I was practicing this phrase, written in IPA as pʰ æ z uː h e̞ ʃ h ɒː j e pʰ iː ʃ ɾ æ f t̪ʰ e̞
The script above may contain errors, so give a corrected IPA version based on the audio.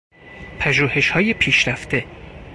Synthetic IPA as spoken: pʰ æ ʒ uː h e̞ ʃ h ɒː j e pʰ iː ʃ ɾ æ f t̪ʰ e̞